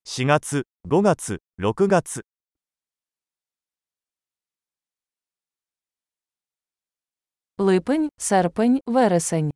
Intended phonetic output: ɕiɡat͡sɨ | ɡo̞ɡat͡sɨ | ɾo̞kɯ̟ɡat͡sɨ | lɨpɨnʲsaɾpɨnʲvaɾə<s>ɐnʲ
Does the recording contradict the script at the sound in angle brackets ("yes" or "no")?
no